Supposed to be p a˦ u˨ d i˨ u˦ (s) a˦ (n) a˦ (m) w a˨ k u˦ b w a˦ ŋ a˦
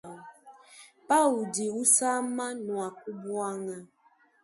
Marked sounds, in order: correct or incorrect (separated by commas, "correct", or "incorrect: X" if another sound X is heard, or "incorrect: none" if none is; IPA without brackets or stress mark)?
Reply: correct, incorrect: m, incorrect: n